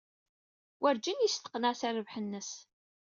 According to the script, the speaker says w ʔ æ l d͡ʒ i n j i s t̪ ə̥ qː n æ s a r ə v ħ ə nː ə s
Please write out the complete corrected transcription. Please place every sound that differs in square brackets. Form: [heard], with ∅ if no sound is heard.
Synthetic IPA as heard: w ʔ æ [ɾ] d͡ʒ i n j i s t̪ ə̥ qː n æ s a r ə v ħ ə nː ə s